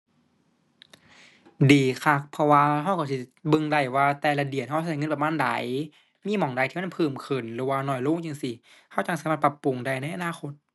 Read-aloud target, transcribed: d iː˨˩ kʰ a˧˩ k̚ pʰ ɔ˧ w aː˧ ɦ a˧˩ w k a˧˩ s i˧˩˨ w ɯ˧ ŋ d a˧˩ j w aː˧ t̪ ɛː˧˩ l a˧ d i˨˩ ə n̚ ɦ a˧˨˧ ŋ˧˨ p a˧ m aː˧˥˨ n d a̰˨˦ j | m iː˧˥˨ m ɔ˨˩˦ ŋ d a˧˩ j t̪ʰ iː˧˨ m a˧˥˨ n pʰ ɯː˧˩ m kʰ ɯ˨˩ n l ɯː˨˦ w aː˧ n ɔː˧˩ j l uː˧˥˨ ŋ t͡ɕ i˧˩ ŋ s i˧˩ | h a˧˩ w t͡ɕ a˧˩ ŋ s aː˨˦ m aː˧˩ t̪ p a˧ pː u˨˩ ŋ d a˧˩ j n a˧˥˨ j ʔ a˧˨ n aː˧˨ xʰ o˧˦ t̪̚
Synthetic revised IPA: d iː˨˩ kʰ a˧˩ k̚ pʰ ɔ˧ w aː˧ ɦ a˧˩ w k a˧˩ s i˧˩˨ b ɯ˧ ŋ d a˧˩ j w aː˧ t̪ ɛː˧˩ l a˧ d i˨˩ ə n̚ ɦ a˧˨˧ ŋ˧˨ p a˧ m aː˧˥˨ n d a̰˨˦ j | m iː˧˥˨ m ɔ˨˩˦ ŋ d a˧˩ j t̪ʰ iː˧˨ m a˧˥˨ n pʰ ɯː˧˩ m kʰ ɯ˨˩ n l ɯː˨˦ w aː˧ n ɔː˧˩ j l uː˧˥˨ ŋ t͡ɕ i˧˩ ŋ s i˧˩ | h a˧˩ w t͡ɕ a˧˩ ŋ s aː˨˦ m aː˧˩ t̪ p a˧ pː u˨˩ ŋ d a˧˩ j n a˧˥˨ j ʔ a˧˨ n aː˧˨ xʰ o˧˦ t̪̚